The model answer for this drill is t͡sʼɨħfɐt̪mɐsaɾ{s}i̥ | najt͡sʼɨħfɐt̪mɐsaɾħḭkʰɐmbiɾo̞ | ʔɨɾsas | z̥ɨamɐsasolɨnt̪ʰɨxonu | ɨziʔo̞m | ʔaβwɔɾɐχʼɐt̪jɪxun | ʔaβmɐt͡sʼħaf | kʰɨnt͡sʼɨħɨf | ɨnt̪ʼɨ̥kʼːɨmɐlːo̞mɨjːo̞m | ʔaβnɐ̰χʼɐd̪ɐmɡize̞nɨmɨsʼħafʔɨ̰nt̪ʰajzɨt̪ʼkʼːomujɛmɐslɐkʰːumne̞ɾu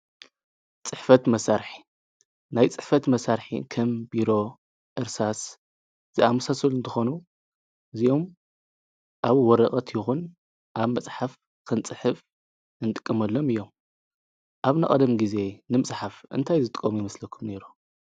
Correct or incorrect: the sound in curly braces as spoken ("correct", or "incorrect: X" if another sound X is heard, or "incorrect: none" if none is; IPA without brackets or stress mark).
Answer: incorrect: ħ